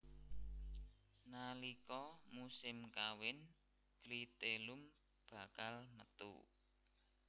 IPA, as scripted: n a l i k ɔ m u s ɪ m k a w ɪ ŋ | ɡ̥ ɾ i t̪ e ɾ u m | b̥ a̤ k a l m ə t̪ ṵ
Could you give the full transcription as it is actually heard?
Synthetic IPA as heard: n a l i k ɔ m u s ɪ m k a w ɪ n | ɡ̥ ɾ i t̪ e l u m | b̥ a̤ k a l m ə t̪ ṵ